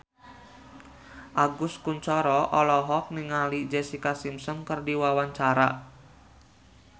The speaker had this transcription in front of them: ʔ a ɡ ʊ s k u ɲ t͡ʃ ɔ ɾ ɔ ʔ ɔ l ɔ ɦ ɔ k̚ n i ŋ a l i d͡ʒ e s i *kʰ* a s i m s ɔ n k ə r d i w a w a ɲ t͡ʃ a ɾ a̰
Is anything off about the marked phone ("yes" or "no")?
yes